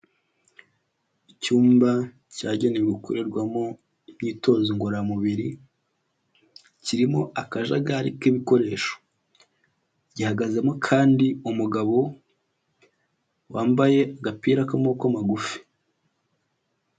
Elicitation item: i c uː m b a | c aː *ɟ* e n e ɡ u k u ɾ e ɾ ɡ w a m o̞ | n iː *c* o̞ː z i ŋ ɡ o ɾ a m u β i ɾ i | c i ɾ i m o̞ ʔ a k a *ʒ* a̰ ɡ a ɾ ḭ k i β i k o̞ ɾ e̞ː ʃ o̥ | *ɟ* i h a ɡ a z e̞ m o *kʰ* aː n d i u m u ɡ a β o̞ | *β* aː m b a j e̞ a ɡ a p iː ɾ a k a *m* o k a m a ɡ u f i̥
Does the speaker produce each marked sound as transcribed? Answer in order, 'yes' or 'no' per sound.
yes, no, yes, yes, yes, no, yes

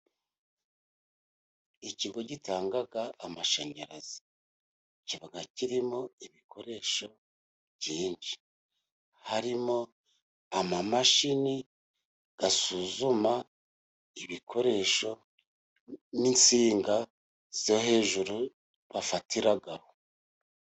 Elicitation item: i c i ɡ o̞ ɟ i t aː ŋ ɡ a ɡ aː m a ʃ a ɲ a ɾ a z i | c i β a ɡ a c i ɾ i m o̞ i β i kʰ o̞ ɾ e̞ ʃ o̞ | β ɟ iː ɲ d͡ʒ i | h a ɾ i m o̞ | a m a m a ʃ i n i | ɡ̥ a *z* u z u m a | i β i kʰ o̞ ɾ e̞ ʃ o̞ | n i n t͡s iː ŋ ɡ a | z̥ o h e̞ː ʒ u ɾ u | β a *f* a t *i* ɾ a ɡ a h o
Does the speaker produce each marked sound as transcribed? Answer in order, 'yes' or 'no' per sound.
no, yes, yes

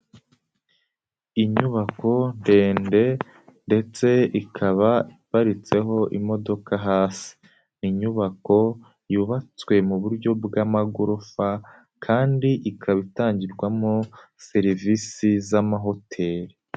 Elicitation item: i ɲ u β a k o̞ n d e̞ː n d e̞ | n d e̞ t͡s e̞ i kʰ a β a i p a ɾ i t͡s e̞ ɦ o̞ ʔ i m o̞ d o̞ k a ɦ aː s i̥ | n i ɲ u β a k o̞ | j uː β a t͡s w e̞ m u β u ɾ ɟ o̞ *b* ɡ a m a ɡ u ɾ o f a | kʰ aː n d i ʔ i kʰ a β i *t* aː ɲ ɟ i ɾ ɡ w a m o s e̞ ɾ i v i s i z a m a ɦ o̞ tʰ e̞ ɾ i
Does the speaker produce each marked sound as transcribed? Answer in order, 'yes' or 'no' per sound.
yes, yes

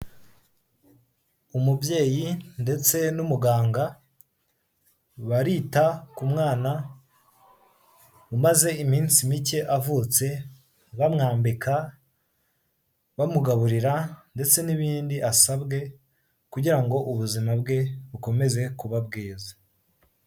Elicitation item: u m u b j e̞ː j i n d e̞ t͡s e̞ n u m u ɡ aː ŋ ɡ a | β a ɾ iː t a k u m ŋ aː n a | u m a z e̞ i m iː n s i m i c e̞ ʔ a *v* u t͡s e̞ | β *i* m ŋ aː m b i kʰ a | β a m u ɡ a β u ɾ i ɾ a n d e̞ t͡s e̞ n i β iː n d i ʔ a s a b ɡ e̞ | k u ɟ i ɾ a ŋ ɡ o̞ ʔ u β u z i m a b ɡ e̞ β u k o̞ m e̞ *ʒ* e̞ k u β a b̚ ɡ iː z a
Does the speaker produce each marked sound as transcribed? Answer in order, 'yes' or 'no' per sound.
yes, no, no

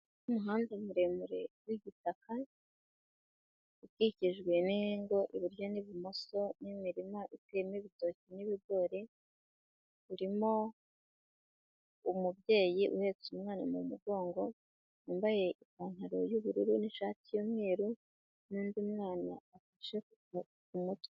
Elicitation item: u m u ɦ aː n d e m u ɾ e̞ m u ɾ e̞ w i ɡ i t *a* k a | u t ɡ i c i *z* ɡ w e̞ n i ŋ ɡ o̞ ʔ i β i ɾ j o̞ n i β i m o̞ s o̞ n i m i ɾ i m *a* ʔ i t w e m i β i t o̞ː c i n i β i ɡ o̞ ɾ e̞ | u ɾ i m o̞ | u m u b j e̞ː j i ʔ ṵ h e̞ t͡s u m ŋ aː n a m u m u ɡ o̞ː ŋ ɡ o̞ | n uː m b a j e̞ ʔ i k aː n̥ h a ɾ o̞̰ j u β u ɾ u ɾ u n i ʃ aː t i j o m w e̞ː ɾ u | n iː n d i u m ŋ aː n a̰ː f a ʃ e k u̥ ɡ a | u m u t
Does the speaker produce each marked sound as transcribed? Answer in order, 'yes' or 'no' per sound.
yes, no, yes

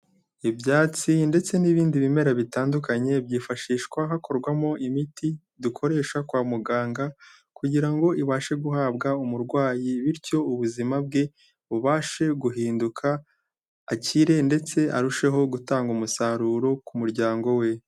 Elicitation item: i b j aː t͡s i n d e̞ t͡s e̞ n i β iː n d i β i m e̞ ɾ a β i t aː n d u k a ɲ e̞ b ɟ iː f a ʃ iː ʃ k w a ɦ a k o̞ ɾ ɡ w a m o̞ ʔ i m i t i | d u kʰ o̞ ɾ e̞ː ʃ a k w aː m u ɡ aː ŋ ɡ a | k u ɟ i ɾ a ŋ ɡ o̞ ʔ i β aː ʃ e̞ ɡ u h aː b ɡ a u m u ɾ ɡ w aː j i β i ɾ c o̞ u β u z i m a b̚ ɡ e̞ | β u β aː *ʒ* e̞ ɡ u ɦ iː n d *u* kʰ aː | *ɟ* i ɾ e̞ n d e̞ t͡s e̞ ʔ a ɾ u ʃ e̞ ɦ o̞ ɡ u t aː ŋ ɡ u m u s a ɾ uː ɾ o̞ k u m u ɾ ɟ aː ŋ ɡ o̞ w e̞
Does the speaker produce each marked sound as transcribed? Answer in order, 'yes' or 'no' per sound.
no, yes, no

